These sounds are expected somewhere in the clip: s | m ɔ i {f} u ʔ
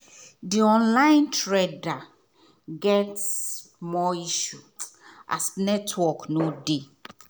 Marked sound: incorrect: ʃ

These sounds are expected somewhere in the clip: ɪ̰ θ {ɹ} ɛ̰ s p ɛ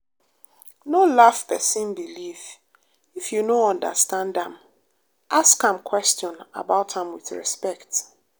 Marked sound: correct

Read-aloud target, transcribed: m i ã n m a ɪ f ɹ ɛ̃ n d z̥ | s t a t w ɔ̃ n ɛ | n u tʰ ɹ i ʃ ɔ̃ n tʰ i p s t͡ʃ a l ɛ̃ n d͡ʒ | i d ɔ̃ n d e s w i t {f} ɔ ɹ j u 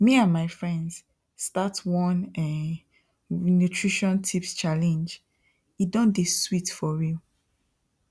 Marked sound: correct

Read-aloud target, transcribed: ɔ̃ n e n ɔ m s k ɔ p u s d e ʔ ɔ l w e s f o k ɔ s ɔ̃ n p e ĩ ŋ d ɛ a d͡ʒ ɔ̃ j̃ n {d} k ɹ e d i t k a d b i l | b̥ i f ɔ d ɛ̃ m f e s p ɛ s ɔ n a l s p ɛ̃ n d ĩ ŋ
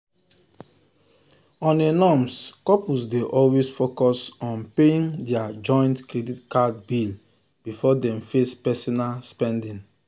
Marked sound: incorrect: t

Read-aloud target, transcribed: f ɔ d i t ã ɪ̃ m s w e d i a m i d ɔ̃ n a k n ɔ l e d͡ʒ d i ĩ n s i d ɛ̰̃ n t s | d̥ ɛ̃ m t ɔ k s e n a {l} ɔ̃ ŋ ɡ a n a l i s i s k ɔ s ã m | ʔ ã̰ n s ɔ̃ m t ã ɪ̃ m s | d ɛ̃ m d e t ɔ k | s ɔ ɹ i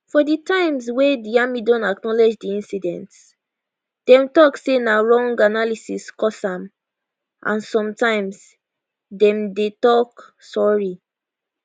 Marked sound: incorrect: ɹ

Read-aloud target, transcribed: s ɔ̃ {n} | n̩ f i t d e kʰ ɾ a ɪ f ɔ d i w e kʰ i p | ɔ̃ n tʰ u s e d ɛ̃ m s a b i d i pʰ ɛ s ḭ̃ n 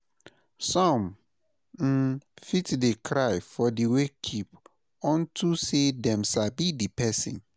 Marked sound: incorrect: m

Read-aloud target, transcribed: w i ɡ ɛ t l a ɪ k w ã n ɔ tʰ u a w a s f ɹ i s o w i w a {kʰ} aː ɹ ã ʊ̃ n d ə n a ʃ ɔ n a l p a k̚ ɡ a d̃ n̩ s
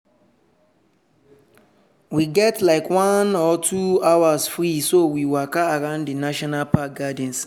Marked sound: incorrect: k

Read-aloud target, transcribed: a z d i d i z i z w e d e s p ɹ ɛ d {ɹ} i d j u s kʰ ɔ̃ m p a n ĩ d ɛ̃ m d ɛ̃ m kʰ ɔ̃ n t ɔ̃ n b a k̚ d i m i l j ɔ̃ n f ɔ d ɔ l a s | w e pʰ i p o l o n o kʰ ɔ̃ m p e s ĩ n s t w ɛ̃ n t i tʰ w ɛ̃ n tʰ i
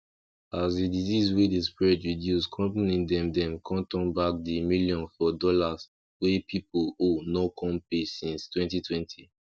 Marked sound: correct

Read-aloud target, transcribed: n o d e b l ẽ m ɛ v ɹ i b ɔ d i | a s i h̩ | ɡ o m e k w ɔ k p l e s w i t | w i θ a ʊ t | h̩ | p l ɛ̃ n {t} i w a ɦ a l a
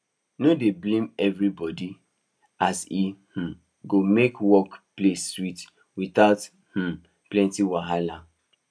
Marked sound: correct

